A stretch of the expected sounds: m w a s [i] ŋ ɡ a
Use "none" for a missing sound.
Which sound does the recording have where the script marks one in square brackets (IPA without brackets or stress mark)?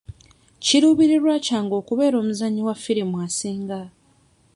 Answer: iː